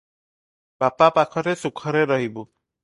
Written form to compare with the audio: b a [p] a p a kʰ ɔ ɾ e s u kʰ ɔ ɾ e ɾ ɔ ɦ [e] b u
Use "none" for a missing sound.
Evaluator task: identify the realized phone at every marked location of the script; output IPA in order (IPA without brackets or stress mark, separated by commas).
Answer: p, i